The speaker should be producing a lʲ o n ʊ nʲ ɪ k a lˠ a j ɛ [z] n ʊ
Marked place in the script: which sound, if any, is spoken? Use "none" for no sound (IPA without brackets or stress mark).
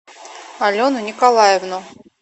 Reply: v